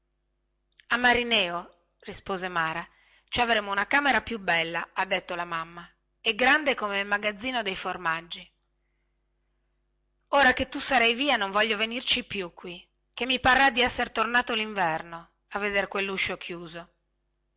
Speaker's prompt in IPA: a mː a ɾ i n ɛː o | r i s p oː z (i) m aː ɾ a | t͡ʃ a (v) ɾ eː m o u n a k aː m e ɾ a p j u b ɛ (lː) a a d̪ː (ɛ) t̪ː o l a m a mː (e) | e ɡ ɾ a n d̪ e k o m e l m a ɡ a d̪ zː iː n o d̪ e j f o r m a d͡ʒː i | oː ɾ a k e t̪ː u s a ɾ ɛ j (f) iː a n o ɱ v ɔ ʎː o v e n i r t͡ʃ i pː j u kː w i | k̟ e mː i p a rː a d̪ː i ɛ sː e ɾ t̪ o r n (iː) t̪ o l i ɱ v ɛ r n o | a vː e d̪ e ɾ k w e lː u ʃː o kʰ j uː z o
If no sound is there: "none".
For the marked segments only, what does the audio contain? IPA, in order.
e, v, lː, e, a, v, aː

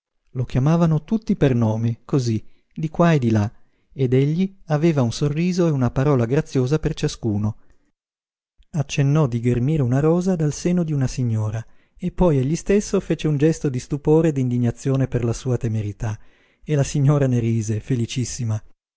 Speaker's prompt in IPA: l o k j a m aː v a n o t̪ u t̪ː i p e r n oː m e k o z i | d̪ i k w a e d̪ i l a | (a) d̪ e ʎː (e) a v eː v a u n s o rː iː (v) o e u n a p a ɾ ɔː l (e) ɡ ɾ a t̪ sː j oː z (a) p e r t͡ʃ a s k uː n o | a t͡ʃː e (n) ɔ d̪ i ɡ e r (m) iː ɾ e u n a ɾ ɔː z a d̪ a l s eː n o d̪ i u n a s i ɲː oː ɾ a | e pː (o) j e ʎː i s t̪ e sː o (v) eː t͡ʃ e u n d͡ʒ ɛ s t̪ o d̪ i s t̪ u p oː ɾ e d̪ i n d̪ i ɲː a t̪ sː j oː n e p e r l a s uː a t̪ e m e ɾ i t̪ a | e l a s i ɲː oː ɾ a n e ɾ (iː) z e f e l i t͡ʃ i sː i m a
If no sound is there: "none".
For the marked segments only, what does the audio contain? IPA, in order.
e, i, z, a, a, nː, m, ɔ, f, iː

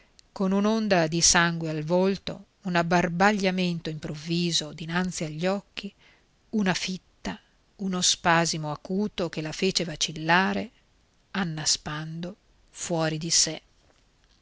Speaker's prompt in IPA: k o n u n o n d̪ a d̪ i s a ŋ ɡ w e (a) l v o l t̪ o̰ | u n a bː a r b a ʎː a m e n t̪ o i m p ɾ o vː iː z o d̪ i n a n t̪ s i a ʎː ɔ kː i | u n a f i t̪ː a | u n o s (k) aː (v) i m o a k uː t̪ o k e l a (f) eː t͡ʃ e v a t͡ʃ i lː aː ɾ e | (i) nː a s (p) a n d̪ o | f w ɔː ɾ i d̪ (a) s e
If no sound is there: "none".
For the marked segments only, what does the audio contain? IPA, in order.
a, p, z, f, a, p, i

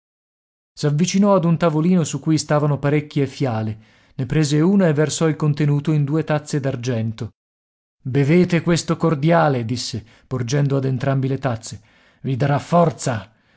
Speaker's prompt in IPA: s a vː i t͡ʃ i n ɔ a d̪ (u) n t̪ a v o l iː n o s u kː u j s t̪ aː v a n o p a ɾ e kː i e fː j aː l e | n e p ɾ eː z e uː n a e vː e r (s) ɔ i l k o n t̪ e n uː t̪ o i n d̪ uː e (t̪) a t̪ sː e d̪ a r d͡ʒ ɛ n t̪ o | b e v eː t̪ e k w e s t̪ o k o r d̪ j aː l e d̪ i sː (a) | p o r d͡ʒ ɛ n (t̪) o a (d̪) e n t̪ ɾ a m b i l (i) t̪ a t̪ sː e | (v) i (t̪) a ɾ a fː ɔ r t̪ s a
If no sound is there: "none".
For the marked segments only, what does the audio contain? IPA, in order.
u, s, t̪, e, d̪, d̪, e, v, d̪

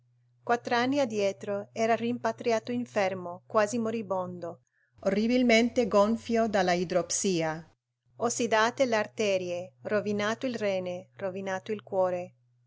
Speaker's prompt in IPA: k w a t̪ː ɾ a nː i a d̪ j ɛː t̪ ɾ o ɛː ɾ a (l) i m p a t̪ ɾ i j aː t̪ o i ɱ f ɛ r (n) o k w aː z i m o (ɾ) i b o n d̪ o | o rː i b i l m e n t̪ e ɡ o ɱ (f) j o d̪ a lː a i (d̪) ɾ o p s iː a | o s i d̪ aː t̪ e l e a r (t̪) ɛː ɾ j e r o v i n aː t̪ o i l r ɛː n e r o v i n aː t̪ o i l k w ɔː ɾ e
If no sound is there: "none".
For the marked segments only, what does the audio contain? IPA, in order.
r, m, ɾ, f, d̪, t̪

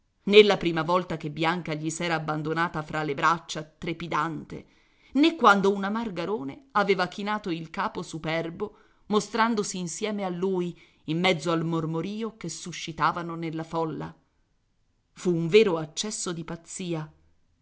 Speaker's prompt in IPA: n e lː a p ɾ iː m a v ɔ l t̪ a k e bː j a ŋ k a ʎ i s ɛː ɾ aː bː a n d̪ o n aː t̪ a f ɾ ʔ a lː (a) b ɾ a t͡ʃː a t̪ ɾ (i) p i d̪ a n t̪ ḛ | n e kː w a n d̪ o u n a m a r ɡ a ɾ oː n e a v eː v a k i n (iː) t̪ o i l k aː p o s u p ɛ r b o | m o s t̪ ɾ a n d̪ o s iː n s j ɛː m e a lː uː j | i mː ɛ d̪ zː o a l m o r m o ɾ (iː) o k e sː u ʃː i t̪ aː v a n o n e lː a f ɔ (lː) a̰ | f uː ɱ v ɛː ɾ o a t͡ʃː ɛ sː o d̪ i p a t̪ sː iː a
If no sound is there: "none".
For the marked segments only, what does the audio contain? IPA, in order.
e, e, aː, iː, lː

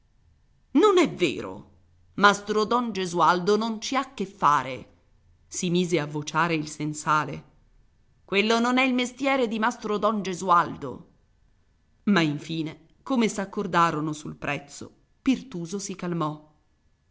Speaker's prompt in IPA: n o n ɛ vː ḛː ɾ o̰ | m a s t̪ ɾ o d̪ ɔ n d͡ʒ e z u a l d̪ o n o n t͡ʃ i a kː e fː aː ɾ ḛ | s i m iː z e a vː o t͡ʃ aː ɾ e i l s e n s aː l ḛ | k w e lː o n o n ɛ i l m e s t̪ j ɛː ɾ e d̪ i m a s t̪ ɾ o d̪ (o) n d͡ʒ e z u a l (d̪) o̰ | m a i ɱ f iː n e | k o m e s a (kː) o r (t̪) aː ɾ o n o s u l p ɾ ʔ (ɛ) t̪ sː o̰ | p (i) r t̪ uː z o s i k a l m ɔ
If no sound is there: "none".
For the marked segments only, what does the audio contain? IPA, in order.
ɔ, d̪, kː, d̪, ɛ, i

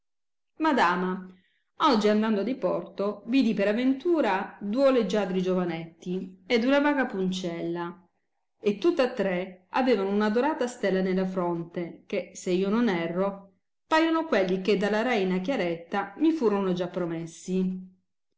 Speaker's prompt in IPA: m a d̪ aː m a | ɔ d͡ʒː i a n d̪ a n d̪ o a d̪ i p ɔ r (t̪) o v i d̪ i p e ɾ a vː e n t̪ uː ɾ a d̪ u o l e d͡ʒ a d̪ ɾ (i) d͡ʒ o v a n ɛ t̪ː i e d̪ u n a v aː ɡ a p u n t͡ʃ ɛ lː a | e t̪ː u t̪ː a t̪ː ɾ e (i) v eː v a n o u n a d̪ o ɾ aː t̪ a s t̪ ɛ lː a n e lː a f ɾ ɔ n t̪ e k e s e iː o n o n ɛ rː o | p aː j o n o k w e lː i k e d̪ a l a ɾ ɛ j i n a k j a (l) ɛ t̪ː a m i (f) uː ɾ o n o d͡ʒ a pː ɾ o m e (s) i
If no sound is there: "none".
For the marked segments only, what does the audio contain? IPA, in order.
t̪, i, a, ɾ, f, sː

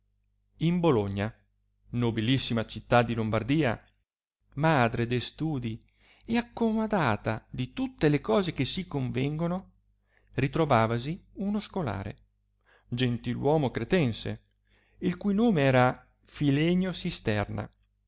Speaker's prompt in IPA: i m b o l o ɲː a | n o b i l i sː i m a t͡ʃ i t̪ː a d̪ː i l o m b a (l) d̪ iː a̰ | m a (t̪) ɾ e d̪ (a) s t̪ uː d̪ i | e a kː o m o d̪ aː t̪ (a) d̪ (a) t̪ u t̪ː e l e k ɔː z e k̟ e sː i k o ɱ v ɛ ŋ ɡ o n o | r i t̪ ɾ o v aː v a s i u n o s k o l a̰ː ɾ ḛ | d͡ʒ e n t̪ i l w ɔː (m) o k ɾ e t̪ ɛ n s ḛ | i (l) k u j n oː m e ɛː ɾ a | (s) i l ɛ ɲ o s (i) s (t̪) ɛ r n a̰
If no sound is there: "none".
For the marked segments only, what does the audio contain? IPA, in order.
r, d̪, e, a, i, m, l, f, i, t̪

